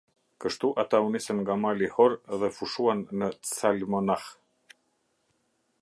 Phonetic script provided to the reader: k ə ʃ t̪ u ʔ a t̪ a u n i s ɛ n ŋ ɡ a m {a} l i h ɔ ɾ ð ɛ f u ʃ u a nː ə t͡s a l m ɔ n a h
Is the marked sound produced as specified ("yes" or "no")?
yes